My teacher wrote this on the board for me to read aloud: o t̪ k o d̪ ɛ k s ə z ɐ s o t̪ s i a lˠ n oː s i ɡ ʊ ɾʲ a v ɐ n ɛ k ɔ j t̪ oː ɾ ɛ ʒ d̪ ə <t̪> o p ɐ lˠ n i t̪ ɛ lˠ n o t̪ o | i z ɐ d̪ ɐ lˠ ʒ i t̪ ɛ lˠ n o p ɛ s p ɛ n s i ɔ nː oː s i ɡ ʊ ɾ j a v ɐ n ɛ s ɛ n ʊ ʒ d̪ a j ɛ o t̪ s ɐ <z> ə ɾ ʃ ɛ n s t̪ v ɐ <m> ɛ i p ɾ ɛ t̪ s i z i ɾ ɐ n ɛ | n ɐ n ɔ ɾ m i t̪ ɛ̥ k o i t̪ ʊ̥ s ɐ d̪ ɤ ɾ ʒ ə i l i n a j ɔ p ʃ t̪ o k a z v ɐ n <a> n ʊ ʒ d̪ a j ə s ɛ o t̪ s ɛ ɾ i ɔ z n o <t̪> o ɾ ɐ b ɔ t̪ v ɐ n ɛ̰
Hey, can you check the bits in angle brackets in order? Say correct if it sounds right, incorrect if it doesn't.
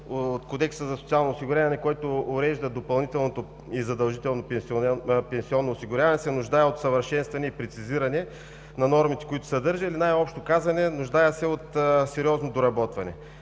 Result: incorrect: d̪, incorrect: v, incorrect: n, incorrect: ɛ, incorrect: d̪

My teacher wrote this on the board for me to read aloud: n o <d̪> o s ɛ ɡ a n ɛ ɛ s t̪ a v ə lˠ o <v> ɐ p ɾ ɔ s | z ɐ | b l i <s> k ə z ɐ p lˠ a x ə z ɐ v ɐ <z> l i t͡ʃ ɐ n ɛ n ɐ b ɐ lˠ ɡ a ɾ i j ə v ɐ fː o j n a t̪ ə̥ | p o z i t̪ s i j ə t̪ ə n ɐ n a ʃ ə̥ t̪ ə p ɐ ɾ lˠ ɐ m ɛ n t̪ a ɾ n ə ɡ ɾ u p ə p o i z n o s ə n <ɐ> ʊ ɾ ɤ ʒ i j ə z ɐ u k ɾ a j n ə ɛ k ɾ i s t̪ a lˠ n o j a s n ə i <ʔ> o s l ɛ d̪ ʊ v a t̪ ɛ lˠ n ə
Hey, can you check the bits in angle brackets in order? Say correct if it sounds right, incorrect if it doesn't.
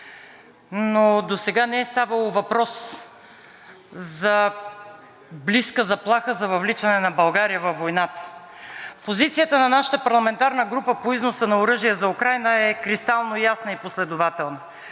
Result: correct, correct, correct, incorrect: v, correct, incorrect: p

